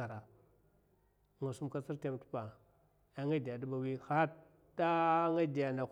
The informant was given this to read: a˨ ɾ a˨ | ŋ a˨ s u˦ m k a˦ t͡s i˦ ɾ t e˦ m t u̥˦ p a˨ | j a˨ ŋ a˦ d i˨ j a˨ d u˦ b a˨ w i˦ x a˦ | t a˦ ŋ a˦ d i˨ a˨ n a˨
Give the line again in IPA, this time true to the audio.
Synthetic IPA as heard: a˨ ɾ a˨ | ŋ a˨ s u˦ m k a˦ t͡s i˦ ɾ t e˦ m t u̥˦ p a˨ | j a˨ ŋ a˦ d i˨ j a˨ d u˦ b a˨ w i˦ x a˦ | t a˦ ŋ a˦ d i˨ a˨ n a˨